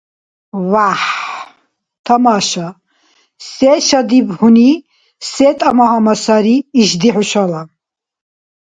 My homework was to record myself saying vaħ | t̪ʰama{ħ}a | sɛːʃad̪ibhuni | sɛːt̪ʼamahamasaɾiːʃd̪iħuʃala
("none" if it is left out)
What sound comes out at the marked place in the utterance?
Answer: ʃ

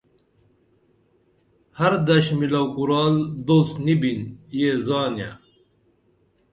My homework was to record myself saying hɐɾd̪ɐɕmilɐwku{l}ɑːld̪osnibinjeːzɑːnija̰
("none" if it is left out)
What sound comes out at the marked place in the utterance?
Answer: ɾ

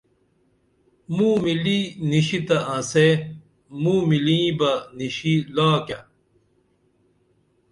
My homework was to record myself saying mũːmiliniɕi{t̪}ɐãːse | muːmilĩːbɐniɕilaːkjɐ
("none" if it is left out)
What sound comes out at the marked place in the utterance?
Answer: t̪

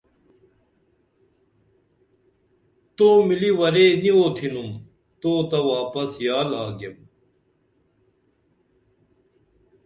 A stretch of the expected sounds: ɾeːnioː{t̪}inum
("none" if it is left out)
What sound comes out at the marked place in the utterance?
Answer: t̪ʰ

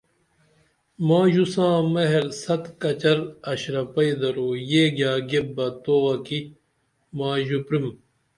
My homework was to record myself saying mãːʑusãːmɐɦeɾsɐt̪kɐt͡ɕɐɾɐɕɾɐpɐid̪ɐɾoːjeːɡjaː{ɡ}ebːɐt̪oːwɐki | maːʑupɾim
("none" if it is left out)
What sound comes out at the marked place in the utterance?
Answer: ɡ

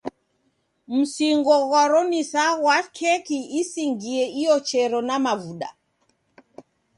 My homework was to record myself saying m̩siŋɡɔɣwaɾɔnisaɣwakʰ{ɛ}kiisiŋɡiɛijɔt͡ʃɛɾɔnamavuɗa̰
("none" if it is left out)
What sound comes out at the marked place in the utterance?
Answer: ɛ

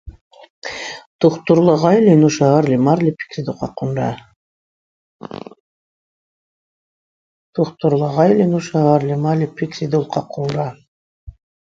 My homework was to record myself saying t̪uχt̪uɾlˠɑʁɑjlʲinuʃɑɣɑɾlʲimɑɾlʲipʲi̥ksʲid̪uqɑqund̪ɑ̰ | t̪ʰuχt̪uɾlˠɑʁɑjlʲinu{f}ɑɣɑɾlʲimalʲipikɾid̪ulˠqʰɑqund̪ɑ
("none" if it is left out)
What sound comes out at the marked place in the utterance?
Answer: ʃ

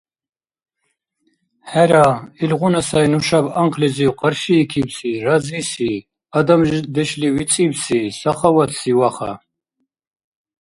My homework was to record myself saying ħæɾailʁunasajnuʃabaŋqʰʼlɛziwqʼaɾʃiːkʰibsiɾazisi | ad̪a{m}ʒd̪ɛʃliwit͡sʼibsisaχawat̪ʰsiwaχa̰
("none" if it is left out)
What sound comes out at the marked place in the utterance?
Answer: m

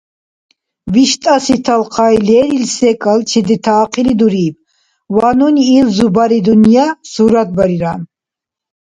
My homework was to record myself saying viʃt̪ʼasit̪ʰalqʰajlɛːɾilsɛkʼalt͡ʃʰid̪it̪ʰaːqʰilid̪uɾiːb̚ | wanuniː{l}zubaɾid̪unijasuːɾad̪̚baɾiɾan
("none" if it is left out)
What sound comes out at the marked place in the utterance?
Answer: l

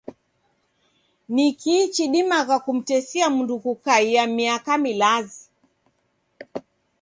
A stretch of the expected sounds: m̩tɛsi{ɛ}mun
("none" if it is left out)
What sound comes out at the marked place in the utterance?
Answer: a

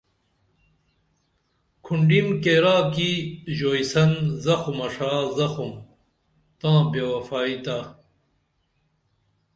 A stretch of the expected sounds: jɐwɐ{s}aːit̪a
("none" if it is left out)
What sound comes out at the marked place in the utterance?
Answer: f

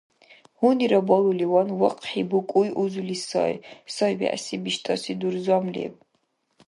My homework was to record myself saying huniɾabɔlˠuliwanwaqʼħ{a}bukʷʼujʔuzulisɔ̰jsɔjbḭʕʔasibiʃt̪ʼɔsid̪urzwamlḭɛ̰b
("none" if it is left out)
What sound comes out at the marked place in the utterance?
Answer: i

